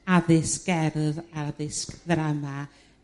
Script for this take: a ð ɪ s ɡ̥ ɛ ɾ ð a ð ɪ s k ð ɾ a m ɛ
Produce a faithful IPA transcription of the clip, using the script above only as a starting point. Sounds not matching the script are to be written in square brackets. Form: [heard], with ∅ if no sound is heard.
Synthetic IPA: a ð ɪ s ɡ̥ ɛ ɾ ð a ð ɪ s k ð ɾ a m [a]